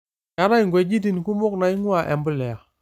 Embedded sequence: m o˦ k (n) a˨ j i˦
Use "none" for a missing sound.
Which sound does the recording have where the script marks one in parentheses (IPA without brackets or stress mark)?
n